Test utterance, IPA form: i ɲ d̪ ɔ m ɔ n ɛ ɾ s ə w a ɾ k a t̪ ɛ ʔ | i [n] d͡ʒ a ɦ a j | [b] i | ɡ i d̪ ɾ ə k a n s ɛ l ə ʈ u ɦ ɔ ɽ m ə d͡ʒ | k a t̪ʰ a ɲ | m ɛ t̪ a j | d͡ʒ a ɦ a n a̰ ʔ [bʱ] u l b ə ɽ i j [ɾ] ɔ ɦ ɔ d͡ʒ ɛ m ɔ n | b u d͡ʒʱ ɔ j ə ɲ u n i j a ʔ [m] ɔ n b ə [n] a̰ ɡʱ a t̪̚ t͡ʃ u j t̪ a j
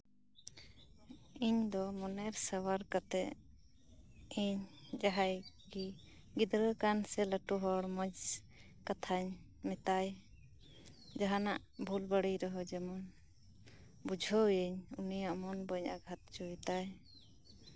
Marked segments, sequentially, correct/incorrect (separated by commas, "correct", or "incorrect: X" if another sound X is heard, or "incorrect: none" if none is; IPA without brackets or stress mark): incorrect: ɲ, incorrect: ɡ, correct, correct, correct, incorrect: ɲ